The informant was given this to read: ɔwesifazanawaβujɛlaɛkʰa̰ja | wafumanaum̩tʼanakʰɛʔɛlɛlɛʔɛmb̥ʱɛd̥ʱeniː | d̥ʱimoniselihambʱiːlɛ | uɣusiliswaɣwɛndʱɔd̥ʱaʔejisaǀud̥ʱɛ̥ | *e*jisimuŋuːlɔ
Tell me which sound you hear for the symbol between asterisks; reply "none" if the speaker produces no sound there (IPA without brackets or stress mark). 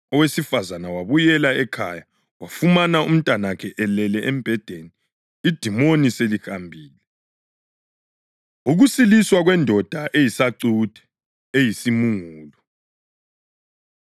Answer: e